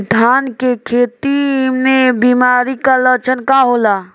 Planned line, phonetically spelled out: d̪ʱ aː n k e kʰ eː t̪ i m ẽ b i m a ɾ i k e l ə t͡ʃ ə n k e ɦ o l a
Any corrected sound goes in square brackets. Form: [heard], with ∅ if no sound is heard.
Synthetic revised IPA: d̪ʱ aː n k e kʰ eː t̪ i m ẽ b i m a ɾ i k [a] l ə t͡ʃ ə n k [a] ɦ o l a